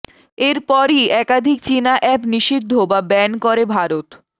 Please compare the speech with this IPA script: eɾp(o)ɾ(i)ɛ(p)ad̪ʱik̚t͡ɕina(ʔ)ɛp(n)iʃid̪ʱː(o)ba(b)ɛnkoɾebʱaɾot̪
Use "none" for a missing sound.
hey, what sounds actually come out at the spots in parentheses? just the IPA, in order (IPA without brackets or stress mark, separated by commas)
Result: ɔ, i, k, ʔ, n, o, b